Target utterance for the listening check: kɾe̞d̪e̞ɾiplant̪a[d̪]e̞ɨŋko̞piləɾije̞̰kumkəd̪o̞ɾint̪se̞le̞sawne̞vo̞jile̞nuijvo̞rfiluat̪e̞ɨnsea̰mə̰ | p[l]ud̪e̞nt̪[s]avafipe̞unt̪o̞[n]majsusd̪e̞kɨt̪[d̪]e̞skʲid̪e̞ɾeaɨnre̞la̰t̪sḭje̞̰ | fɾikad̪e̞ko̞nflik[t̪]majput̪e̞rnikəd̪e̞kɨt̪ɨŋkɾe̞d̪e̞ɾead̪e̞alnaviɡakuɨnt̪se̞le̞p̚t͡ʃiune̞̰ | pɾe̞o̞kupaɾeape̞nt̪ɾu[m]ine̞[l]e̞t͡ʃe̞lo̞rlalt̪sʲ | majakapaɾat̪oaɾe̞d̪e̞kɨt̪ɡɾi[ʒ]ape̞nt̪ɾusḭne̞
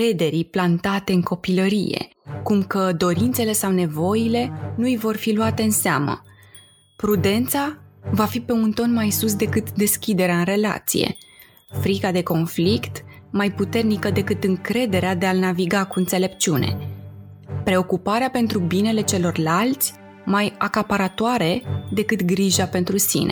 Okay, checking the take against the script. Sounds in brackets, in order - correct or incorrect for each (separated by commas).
incorrect, incorrect, correct, correct, correct, correct, incorrect, correct, correct